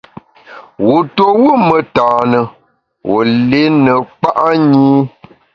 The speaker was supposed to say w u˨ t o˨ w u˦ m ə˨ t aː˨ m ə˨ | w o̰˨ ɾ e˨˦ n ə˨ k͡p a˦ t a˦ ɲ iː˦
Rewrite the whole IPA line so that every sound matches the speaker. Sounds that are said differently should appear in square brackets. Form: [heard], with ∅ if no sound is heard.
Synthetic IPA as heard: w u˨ t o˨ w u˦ m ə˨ t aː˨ [n] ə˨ | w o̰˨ [l] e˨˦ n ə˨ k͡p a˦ [ʔ] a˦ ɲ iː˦